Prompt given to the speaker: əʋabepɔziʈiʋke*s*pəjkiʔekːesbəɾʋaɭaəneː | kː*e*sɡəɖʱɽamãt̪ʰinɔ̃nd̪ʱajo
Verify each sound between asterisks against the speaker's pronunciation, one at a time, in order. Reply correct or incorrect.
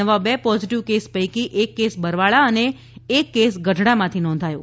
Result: correct, correct

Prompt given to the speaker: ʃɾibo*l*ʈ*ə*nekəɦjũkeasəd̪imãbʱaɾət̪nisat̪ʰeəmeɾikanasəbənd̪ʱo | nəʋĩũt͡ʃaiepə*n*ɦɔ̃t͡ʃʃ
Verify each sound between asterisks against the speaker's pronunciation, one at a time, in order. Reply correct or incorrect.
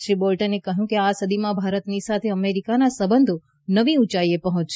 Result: correct, correct, incorrect

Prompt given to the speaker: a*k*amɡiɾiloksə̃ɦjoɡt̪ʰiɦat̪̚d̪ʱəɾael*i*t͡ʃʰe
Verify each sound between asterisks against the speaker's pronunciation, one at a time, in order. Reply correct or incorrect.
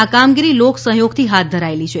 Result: correct, correct

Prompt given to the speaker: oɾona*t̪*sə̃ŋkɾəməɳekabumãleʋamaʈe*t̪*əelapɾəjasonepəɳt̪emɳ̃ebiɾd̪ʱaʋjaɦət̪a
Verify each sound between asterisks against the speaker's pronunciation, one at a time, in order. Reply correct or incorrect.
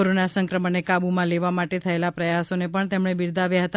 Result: incorrect, incorrect

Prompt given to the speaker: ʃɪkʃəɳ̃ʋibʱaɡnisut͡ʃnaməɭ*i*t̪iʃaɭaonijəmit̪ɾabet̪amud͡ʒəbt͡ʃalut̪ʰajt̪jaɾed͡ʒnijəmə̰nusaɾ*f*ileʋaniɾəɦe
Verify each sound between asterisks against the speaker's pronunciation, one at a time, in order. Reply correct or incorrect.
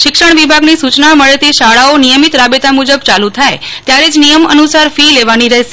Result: incorrect, correct

